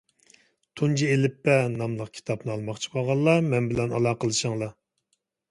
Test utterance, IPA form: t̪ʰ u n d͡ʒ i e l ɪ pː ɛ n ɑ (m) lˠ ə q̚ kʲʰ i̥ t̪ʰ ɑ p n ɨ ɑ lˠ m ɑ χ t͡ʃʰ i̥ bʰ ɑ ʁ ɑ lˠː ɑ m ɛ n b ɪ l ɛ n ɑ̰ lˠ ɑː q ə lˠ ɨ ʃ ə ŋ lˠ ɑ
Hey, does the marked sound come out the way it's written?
yes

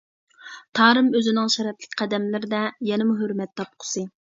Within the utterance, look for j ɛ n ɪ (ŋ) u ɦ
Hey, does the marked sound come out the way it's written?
no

